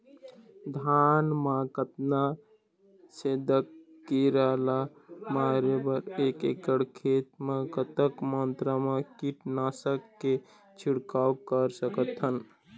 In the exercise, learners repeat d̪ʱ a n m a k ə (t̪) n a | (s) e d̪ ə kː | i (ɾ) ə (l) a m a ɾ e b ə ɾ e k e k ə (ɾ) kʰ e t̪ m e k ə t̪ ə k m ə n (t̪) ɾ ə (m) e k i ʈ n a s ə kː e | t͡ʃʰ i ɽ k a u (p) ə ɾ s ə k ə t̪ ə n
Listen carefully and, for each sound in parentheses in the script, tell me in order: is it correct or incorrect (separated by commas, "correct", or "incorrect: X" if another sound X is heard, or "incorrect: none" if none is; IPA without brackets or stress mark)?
correct, correct, correct, correct, incorrect: ɽ, correct, correct, incorrect: k